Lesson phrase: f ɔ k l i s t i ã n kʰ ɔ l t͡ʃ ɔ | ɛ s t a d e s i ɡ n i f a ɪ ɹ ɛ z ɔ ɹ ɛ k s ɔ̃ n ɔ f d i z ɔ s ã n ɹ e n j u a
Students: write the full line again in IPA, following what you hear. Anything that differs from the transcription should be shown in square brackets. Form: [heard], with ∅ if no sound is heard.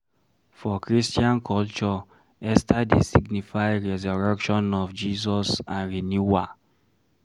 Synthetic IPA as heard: f ɔ k [ɹ] i s t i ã n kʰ ɔ l t͡ʃ ɔ | ɛ s t a d e s i ɡ n i f a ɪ ɹ ɛ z ɔ ɹ ɛ k [ʃ] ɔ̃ n ɔ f [d͡ʒ] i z ɔ s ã n ɹ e n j u a